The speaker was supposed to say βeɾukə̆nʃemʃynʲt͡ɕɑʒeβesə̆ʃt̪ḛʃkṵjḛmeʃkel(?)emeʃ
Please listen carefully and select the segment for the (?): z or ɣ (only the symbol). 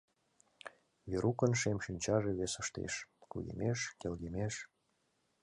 ɣ